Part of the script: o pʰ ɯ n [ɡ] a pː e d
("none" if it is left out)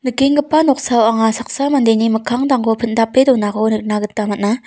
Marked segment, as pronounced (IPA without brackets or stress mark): d